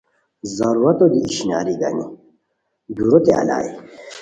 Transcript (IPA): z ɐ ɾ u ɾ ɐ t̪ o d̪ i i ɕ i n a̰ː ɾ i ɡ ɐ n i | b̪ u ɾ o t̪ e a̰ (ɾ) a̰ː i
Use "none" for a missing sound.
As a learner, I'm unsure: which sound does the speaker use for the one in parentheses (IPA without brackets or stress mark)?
l